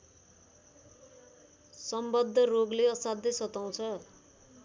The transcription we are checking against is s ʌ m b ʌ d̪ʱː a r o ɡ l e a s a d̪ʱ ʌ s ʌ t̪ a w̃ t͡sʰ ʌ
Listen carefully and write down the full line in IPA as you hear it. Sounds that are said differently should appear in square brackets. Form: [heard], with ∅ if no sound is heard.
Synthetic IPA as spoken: s ʌ m b ʌ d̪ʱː [ʌ] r o ɡ l e [ʌ] s a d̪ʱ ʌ s ʌ t̪ a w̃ t͡sʰ ʌ